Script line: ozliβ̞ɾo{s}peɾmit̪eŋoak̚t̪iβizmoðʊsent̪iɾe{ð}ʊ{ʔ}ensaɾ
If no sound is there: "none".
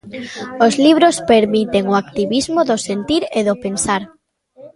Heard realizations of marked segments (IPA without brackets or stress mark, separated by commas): s, ð, p